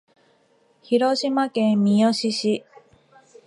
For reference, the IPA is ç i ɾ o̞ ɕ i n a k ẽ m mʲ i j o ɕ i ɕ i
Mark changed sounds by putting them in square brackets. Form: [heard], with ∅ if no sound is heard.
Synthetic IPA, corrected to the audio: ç i ɾ o̞ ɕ i [m] a k ẽ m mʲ i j o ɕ i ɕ i